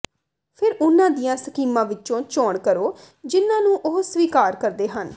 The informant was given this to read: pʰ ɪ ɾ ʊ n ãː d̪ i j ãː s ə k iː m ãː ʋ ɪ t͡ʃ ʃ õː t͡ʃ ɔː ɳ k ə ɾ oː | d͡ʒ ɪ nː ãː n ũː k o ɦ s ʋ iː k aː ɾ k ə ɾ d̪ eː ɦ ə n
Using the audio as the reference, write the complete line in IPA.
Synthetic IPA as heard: pʰ ɪ ɾ ʊ n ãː d̪ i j ãː s ə k iː m ãː ʋ ɪ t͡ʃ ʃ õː t͡ʃ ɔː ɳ k ə ɾ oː | d͡ʒ ɪ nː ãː n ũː ʔ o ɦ s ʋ iː k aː ɾ k ə ɾ d̪ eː ɦ ə n